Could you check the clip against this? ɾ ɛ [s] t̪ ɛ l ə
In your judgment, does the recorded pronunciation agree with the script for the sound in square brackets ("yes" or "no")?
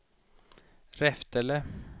no